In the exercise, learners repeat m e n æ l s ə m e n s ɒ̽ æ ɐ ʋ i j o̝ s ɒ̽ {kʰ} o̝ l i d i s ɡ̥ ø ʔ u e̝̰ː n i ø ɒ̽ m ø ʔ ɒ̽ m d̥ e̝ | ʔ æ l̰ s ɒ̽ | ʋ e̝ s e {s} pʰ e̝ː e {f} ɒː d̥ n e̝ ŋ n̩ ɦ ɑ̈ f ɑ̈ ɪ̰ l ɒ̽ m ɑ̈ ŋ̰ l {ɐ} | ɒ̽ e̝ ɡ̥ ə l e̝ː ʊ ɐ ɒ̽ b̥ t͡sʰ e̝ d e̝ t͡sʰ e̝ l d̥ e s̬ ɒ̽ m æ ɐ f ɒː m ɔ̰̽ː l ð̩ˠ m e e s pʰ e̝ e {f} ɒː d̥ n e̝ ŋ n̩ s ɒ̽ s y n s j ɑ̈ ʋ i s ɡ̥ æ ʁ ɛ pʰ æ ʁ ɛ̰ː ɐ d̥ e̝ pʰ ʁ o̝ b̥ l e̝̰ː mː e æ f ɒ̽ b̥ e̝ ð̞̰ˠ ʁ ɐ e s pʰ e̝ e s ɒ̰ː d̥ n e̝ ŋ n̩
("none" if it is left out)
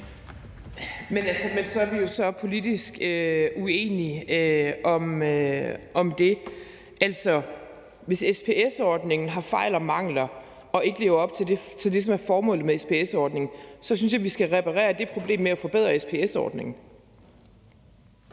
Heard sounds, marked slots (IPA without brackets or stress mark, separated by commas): pʰ, s, s, ɐ, s